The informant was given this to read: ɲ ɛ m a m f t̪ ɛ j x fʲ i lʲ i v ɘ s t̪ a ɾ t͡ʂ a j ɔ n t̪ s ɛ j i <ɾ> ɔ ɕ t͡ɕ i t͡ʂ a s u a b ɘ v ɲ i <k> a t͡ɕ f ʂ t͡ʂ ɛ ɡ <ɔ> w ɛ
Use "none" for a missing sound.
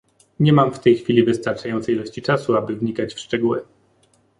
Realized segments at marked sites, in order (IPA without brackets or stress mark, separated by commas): l, k, u